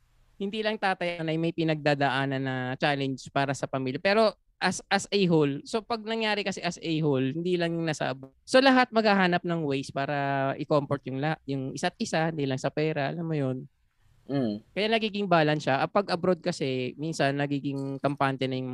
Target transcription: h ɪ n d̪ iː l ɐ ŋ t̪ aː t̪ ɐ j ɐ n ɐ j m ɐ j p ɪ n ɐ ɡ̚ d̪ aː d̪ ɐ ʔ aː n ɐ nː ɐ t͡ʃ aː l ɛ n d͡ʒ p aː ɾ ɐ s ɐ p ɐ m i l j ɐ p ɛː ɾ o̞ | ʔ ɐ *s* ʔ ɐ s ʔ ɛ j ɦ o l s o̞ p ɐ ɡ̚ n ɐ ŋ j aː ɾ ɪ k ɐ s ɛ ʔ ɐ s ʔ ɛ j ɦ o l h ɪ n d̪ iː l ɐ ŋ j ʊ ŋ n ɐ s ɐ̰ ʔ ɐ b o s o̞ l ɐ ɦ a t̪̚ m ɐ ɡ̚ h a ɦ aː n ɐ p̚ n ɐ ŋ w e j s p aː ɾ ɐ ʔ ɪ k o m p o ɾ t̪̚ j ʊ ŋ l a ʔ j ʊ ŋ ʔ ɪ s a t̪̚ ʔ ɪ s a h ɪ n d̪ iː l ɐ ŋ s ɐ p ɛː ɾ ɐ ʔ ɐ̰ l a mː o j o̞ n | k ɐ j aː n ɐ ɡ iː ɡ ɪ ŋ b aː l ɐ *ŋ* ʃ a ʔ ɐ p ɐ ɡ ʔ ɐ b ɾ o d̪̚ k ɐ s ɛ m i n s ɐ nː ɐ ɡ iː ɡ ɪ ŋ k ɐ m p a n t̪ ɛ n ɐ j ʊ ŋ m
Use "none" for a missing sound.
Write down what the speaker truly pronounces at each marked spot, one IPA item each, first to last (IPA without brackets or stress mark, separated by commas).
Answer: s, n